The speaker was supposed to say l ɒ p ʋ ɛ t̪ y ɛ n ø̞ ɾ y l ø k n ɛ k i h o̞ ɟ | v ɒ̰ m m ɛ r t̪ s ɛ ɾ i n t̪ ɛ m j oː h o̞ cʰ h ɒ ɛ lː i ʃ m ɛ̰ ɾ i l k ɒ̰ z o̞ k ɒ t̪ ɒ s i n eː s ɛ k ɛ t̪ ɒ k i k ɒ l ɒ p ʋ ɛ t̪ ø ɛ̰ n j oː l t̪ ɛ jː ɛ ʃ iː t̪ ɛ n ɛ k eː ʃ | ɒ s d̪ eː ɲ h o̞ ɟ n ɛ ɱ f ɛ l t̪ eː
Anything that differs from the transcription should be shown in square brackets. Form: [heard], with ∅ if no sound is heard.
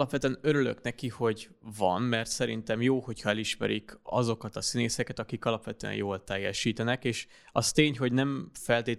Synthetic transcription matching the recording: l ɒ p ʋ ɛ t̪ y ɛ n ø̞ ɾ y l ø k n ɛ k i h o̞ ɟ | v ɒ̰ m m ɛ r t̪ s ɛ ɾ i n t̪ ɛ m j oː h o̞ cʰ h ɒ ɛ [l] i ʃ m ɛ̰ ɾ i [∅] k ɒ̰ z o̞ k ɒ t̪ ɒ s i n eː s ɛ k ɛ t̪ ɒ k i k ɒ l ɒ p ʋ ɛ t̪ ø ɛ̰ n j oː l t̪ ɛ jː ɛ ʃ iː t̪ ɛ n ɛ k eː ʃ | ɒ s [t̪] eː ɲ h o̞ ɟ n ɛ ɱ f ɛ l t̪ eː